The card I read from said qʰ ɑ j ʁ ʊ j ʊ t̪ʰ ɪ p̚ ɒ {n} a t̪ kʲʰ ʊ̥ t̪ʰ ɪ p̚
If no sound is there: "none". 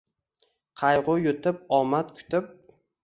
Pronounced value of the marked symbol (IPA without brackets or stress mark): m